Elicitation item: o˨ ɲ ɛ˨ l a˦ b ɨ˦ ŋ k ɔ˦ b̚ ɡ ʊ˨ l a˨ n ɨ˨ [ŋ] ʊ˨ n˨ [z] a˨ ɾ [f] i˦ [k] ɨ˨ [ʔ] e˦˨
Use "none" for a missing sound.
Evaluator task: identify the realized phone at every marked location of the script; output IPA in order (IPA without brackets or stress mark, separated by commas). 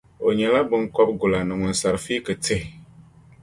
ŋ, s, f, k, t